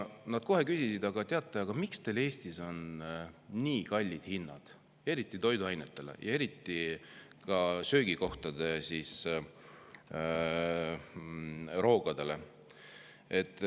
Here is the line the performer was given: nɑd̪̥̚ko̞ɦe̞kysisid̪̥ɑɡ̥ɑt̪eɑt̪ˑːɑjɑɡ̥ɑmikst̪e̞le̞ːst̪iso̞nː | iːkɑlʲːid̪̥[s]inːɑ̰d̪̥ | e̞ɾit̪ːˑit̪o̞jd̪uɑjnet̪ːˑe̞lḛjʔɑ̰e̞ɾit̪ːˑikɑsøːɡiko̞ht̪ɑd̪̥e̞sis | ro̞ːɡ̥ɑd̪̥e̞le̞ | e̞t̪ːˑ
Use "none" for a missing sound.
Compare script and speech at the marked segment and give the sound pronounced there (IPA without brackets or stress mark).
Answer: h